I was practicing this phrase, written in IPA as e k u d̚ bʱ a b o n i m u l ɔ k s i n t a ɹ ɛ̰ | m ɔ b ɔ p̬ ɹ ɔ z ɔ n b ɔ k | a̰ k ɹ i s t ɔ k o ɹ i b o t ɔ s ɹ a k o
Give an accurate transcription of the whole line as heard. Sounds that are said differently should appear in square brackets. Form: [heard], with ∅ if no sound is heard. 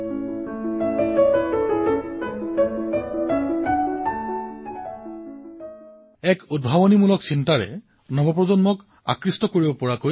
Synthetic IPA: [ɛ] k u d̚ bʱ a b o n i m u l ɔ k s i n t a ɹ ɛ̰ | [n] ɔ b ɔ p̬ ɹ ɔ z ɔ n [m] ɔ k | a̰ k ɹ i s t ɔ k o ɹ i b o [p] ɔ [∅] ɹ a k o